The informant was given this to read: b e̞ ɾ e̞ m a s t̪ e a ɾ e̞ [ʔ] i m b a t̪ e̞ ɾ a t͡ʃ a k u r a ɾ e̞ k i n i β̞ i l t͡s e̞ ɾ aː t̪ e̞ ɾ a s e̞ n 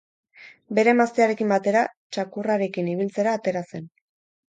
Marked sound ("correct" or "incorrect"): incorrect